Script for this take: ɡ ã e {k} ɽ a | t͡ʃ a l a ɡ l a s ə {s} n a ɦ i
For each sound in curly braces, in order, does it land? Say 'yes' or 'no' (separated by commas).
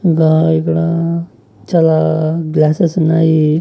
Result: yes, yes